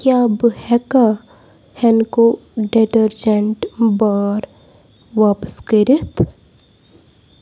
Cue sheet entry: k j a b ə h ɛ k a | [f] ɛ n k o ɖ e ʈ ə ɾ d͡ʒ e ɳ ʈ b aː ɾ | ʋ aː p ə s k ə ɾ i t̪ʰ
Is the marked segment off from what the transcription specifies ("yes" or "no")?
yes